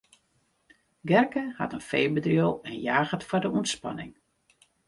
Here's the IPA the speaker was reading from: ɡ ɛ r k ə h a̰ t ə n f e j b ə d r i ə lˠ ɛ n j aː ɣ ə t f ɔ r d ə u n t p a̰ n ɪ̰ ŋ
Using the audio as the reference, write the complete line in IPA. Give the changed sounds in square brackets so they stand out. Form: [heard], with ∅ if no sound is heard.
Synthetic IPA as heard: ɡ ɛ r k ə h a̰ t ə n f e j b ə d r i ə lˠ ɛ n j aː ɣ ə t f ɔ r d ə u n [s] p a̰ n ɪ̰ ŋ

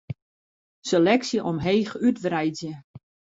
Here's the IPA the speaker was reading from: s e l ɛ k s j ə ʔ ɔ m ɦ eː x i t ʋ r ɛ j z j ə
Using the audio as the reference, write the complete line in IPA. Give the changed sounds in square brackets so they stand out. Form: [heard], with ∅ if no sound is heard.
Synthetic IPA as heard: s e l ɛ k s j ə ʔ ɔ m ɦ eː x [y] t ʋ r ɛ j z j ə

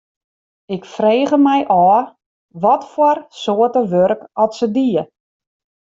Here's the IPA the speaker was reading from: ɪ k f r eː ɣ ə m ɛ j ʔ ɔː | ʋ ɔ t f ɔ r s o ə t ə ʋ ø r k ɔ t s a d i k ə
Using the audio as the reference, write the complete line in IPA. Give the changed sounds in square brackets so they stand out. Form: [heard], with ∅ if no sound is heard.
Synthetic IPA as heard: ɪ k f r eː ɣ ə m ɛ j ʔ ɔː | ʋ ɔ t f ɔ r s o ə t ə ʋ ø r k ɔ t s [ə] d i [∅] ə

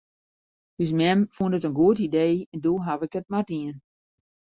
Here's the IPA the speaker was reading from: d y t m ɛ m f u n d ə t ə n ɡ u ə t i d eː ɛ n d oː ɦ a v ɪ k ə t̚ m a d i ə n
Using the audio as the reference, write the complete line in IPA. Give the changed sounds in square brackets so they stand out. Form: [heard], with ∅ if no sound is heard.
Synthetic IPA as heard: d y [s] m ɛ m f u n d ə t ə n ɡ u ə t i d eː ɛ n d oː ɦ a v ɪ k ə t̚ m a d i ə n

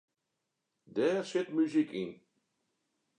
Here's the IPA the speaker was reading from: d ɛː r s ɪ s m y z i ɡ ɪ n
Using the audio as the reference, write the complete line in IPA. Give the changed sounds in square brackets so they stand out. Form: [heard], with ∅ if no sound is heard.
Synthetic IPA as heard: d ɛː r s ɪ [t] m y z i [k] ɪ n

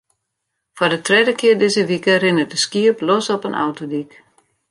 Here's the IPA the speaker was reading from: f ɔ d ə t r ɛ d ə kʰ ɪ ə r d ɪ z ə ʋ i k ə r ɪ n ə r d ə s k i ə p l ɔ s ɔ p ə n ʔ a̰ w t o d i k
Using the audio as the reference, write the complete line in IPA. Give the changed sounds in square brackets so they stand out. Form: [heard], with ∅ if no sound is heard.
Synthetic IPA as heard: f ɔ d ə t r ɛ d ə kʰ ɪ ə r d ɪ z ə ʋ i k ə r ɪ n ə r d ə s k i ə p l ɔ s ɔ p ə n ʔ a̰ w t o d i k

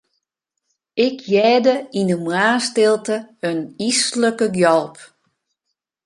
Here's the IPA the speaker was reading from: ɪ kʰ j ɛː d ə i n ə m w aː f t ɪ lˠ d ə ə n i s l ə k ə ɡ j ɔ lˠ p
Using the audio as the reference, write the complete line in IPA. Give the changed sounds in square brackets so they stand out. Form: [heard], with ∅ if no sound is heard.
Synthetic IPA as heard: ɪ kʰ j ɛː d ə i n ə m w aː [s] t ɪ lˠ [t] ə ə n i s l ə k ə ɡ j ɔ lˠ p

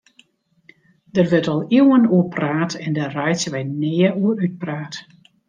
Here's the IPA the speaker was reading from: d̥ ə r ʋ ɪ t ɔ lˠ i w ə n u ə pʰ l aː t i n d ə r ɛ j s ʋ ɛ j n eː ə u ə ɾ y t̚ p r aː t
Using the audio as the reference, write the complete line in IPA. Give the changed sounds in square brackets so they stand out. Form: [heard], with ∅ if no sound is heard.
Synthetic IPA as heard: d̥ ə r ʋ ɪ t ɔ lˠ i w ə n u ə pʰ [r] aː t [ɛ] n d ə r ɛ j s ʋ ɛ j n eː ə u ə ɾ y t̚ p r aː t

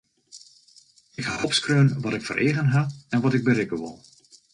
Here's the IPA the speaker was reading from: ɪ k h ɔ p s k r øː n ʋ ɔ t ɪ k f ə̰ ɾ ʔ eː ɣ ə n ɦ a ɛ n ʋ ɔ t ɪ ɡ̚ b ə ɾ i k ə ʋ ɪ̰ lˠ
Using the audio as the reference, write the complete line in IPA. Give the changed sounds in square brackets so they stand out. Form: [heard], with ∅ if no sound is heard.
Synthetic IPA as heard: ɪ k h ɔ p s k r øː n ʋ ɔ t ɪ k f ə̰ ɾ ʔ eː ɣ ə n ɦ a ɛ n ʋ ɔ t ɪ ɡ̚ b ə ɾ [ɪ] k ə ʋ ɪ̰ lˠ

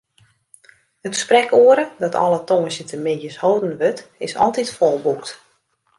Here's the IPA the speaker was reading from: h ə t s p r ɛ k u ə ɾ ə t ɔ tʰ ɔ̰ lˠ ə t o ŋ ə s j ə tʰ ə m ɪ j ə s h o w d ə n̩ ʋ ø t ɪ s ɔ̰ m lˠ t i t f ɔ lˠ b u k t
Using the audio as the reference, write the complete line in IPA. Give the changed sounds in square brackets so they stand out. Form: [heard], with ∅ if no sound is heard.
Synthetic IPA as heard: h ə t s p r ɛ k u ə ɾ ə [d] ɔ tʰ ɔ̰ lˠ ə t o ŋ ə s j ə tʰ ə m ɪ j ə s h o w d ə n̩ ʋ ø t ɪ s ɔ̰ [∅] lˠ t i t f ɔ lˠ b u k t

